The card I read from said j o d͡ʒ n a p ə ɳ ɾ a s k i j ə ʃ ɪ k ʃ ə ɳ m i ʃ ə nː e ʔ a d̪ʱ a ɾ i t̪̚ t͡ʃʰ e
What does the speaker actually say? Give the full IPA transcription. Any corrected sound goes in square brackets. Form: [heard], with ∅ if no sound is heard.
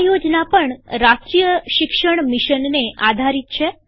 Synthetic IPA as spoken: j o d͡ʒ n a p ə ɳ ɾ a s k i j ə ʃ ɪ k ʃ ə ɳ m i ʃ ə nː e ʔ a d̪ʱ a ɾ i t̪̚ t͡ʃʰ e

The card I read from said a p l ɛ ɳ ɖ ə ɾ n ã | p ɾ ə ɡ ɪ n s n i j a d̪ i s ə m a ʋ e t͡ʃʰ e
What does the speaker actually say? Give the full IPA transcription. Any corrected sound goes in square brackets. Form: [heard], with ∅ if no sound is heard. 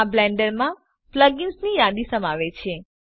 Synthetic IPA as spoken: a [b] l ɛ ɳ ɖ ə ɾ [m] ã | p [l] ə ɡ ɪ n s n i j a d̪ i s ə m a ʋ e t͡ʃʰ e

